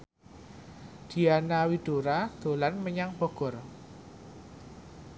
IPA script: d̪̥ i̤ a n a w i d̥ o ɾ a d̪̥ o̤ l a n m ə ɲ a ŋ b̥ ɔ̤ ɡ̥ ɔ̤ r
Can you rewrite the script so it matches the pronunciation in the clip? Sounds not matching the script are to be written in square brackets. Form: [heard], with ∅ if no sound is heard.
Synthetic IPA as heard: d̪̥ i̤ a n a w i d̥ o ɾ a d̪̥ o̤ l a n m ə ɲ a ŋ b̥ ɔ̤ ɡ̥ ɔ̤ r